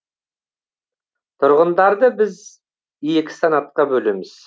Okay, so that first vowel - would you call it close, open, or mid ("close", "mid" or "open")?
close